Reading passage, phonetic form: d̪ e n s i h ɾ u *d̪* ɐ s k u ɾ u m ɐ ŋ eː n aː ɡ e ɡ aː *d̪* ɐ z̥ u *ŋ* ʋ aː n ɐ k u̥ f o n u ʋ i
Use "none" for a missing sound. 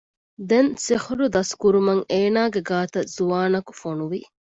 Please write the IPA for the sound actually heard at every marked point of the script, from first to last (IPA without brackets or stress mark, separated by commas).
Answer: d̪, t̪, none